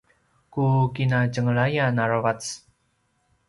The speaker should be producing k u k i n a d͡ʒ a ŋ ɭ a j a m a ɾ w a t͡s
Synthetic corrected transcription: k u k i n a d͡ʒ ə ŋ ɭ a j a n a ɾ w a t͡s